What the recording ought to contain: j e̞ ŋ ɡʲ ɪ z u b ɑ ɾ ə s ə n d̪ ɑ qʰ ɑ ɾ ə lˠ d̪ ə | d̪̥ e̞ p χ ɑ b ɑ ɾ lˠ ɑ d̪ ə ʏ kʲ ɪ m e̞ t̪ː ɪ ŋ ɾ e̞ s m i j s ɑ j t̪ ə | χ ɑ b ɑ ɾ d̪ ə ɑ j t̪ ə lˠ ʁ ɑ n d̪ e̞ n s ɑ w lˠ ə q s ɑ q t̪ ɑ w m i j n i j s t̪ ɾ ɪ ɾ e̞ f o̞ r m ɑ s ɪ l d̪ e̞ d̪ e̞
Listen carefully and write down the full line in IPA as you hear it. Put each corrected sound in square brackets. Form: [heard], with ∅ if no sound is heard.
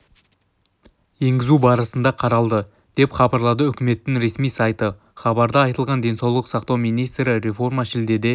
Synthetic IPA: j e̞ ŋ ɡʲ ɪ z u b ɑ ɾ ə s ə n d̪ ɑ qʰ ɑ ɾ [ɑ] lˠ d̪ ə | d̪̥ e̞ p χ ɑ b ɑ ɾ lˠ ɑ d̪ ə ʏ kʲ ɪ m e̞ t̪ː ɪ ŋ ɾ e̞ s m i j s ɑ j t̪ ə | χ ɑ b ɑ ɾ d̪ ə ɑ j t̪ ə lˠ ʁ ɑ n d̪ e̞ n s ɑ w lˠ ə q s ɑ q t̪ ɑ w m i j n i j s t̪ ɾ ɪ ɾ e̞ f o̞ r m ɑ [ʃ] ɪ l d̪ e̞ d̪ e̞